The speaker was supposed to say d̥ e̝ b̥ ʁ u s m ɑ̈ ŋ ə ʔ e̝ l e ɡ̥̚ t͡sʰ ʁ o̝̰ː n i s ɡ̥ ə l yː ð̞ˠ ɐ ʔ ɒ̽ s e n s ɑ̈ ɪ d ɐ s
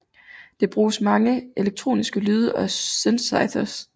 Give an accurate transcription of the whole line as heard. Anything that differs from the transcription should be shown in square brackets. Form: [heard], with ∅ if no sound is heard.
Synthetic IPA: d̥ e̝ b̥ ʁ [uː] s m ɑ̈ ŋ ə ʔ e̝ l e ɡ̥̚ t͡sʰ ʁ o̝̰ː n i s ɡ̥ ə l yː ð̞ˠ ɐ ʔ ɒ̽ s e n s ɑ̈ ɪ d ɐ s